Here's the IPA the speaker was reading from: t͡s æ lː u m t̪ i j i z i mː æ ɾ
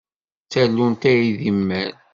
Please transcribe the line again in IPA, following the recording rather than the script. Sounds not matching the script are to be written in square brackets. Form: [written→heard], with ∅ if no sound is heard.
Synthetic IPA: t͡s æ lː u [m→n] t̪ [i→æ] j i [z→ð] i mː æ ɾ